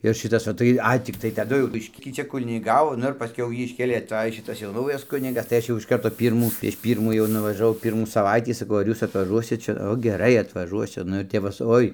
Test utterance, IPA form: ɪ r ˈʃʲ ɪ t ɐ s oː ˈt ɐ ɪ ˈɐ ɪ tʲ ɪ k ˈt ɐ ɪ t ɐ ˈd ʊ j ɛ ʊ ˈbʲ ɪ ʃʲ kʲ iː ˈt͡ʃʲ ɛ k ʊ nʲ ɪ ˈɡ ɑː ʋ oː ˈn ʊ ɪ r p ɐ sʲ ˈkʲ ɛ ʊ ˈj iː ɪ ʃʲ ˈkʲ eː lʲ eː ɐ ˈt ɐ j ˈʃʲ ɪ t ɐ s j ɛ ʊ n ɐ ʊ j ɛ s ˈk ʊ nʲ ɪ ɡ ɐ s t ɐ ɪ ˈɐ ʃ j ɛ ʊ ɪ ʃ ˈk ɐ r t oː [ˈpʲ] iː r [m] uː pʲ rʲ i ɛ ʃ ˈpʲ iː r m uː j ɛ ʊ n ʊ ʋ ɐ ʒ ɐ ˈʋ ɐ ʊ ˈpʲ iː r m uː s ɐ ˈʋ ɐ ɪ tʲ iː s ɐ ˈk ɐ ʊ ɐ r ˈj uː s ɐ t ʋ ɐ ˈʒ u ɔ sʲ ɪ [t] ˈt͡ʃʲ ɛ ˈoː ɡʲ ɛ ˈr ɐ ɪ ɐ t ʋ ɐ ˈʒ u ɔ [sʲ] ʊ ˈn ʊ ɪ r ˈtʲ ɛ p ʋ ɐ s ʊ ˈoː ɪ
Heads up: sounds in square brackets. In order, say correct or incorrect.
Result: correct, correct, correct, correct

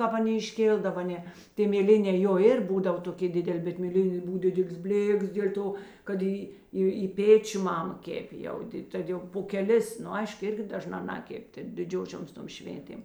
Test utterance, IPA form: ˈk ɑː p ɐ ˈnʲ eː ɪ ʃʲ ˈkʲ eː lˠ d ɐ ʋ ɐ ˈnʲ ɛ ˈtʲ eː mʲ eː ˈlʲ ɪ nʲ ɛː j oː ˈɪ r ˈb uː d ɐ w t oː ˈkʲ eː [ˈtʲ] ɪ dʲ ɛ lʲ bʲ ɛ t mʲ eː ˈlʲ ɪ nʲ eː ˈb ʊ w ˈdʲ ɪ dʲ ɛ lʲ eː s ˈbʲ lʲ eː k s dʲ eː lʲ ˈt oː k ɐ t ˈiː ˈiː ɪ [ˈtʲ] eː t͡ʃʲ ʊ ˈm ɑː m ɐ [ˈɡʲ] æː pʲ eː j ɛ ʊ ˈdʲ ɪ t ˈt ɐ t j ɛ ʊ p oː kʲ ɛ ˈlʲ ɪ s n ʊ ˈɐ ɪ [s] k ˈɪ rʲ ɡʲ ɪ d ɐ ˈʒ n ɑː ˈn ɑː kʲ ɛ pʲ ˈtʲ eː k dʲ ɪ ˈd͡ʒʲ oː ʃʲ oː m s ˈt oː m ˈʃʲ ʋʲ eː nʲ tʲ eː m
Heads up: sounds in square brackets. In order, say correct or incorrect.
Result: incorrect: dʲ, incorrect: pʲ, incorrect: kʲ, incorrect: ʃ

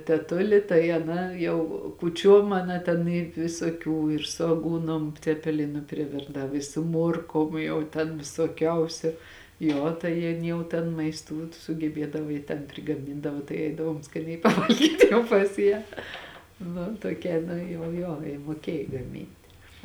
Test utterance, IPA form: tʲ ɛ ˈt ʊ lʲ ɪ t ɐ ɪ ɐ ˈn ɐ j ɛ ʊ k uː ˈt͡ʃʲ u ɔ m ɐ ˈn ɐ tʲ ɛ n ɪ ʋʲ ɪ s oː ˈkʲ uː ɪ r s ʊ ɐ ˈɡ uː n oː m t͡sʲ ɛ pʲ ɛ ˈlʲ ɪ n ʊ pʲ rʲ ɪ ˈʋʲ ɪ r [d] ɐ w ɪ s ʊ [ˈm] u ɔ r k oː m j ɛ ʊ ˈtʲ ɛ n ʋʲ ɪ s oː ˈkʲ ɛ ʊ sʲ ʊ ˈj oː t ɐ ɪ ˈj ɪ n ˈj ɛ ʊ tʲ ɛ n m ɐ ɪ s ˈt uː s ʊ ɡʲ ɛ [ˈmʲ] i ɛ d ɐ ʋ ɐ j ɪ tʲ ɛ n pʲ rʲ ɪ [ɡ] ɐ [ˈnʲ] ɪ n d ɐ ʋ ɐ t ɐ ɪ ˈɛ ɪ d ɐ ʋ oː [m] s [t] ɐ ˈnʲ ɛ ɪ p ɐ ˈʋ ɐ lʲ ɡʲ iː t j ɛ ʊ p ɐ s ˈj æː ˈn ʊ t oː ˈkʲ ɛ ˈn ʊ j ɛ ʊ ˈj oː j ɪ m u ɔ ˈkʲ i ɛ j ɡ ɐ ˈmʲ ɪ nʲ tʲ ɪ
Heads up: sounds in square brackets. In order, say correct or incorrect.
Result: correct, correct, incorrect: bʲ, correct, incorrect: mʲ, correct, incorrect: k

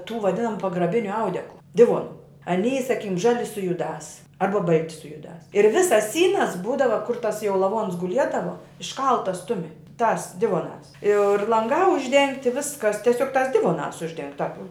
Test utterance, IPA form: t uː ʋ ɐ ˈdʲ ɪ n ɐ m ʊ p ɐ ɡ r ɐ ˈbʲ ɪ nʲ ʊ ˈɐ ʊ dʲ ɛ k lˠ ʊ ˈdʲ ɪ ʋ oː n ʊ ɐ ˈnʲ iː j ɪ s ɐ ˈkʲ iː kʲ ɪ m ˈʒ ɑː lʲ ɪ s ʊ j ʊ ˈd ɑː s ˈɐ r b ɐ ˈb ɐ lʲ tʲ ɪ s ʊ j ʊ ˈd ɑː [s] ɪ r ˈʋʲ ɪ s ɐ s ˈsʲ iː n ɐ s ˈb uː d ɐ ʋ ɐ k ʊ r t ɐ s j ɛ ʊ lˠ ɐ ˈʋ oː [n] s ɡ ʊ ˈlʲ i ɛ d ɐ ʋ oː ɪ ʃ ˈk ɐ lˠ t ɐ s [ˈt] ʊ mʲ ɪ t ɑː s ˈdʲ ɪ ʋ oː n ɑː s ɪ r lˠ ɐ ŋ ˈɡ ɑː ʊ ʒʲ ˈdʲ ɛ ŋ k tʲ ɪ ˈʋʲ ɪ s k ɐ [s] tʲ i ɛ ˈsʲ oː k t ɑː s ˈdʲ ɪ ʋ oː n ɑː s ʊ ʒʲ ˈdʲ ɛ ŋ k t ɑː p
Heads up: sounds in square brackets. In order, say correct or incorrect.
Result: correct, correct, correct, correct

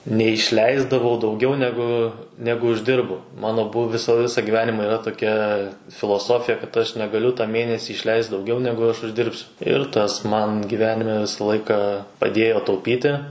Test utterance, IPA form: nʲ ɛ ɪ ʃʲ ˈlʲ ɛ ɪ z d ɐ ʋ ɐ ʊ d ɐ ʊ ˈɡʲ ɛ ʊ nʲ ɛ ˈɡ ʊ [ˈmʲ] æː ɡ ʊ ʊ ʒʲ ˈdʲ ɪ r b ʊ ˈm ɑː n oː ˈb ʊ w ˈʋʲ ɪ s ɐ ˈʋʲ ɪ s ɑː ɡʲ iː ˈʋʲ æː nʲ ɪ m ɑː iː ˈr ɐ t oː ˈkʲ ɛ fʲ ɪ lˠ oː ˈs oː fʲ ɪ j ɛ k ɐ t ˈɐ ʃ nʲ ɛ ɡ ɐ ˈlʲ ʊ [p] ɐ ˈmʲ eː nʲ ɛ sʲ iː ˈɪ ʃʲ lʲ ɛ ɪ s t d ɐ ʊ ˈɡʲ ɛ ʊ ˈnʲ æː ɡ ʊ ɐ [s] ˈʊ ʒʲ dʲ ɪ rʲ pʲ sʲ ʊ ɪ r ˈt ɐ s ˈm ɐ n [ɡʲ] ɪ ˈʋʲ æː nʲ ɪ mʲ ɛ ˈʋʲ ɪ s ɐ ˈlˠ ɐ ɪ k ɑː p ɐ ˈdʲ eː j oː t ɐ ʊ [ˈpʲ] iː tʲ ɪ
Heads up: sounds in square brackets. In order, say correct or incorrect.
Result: incorrect: nʲ, incorrect: t, incorrect: ʃ, correct, correct

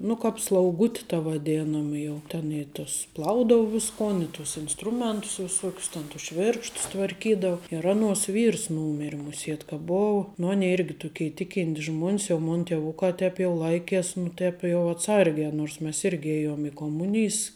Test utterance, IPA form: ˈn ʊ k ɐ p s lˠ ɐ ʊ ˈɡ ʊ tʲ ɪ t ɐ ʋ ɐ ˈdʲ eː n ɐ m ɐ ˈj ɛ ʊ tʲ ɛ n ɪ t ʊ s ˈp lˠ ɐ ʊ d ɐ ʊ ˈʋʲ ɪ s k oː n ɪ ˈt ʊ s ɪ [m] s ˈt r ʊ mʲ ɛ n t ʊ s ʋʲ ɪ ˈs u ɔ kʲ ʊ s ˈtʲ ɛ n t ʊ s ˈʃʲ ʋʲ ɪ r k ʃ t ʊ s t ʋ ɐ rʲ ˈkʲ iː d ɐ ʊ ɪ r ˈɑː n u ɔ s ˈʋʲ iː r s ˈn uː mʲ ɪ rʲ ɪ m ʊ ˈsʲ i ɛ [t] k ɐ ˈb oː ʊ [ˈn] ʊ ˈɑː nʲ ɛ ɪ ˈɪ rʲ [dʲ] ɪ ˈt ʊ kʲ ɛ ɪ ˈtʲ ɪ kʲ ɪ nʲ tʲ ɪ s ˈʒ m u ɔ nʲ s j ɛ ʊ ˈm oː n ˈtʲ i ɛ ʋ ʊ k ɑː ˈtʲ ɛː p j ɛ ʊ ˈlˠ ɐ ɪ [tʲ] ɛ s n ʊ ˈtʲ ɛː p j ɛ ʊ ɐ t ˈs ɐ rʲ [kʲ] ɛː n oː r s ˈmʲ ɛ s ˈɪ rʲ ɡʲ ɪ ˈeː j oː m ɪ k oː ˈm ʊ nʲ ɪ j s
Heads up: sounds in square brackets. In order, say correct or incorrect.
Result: incorrect: n, correct, correct, incorrect: ɡʲ, incorrect: kʲ, incorrect: ɡʲ

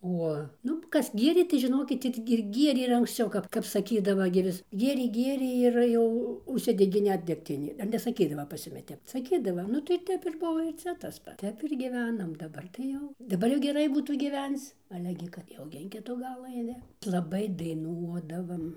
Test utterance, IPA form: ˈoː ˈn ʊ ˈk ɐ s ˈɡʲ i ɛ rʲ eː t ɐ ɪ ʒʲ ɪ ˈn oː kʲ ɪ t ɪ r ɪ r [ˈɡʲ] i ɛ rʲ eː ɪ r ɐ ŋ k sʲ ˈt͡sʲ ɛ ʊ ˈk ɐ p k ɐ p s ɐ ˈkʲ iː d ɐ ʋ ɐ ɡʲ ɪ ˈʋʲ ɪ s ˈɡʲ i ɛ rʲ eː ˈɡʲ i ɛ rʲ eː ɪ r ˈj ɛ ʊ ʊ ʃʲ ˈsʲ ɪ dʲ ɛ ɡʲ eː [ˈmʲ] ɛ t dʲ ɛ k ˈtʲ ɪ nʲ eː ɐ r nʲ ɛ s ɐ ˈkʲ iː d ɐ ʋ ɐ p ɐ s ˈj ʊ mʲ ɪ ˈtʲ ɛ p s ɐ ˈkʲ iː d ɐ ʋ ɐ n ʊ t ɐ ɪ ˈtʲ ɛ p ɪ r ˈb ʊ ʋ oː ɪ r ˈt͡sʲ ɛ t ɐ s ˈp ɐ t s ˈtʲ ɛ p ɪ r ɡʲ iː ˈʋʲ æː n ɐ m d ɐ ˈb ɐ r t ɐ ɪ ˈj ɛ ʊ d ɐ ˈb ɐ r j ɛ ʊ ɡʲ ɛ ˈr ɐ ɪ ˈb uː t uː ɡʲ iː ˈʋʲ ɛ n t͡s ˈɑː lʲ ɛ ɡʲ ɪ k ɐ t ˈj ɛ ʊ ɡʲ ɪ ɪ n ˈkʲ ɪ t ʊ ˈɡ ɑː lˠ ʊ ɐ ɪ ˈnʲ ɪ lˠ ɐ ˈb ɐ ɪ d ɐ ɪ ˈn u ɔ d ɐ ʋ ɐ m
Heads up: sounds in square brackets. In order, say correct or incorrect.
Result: correct, incorrect: nʲ

